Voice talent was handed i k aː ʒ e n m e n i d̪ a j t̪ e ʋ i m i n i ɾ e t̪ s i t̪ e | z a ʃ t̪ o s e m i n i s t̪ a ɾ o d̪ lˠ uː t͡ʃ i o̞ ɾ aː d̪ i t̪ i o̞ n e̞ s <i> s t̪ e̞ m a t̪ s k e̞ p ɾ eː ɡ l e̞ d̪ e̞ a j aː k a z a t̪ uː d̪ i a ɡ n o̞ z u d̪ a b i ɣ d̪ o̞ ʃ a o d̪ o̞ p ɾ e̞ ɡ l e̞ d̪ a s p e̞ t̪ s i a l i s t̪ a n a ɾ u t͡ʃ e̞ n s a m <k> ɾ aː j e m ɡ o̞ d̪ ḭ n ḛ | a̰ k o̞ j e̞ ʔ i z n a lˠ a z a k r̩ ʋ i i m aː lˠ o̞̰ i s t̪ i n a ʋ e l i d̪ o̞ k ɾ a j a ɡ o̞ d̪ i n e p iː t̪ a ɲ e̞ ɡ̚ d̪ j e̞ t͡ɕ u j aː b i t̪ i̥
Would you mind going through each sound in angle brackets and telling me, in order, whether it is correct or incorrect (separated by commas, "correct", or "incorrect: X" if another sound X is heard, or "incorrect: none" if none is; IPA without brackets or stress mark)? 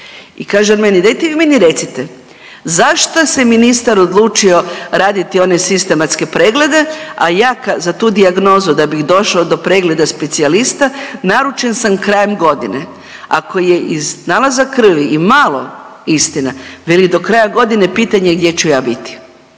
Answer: correct, correct